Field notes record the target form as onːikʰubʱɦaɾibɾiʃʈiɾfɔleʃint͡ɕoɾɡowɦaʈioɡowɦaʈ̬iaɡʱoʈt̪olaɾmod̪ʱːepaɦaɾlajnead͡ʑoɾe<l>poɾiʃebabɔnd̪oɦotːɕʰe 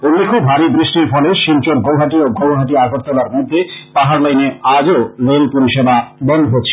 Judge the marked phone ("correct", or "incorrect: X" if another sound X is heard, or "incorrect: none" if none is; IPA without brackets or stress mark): correct